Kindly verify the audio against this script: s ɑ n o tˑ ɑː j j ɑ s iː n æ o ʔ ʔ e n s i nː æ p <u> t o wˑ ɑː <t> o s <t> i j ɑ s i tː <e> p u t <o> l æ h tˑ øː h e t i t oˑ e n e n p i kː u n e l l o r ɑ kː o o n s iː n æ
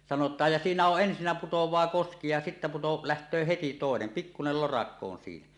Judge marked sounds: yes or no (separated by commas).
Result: yes, no, no, no, yes